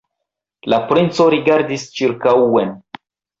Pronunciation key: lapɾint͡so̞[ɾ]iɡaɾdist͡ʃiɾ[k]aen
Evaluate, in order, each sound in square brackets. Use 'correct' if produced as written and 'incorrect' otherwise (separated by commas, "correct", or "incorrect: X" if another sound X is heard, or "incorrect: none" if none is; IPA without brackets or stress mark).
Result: correct, correct